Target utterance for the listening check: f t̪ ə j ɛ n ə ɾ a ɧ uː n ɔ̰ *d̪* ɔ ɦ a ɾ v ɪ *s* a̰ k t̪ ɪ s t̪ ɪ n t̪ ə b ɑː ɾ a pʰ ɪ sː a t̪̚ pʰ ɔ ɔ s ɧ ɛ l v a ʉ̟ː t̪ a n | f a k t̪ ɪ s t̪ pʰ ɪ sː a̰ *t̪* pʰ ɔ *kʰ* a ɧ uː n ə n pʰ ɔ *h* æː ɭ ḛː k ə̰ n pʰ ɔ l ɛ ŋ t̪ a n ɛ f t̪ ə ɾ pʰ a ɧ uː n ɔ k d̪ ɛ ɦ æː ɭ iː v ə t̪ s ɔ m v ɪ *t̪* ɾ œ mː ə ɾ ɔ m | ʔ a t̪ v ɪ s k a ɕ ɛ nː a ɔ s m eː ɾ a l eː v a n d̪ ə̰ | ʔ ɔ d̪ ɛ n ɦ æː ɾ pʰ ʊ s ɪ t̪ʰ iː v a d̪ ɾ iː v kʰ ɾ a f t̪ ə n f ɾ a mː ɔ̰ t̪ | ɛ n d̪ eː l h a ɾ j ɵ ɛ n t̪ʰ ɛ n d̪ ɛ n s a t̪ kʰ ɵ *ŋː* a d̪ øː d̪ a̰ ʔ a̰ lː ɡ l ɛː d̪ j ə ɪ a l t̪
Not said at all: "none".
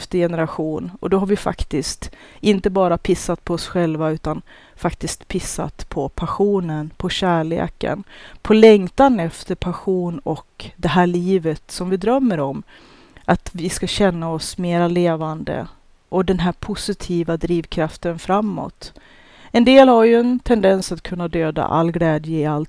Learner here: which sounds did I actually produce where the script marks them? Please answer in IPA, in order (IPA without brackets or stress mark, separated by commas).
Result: d̪, f, t̪, pʰ, ɕ, d̪, nː